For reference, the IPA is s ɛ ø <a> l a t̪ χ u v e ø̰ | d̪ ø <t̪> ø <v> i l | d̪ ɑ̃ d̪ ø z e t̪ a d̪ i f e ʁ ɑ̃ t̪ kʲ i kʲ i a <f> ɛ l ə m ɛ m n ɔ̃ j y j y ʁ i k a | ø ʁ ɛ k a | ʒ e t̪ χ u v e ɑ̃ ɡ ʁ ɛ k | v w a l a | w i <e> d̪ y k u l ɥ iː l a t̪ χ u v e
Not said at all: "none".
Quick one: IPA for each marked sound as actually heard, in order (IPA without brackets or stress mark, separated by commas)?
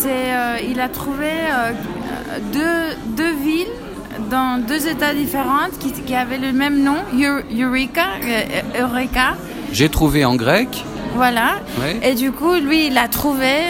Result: i, d̪, v, v, e